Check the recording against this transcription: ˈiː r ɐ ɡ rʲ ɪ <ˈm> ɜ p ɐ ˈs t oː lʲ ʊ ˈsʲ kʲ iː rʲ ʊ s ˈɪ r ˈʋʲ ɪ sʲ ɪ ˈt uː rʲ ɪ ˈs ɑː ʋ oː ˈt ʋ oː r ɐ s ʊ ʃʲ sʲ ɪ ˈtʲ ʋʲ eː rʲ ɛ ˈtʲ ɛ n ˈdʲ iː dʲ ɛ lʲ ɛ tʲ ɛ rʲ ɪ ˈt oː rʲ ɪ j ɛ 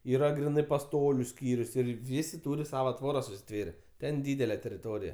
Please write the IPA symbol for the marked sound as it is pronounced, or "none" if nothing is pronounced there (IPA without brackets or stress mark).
n